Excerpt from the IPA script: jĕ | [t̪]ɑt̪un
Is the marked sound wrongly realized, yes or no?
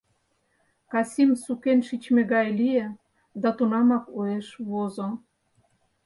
yes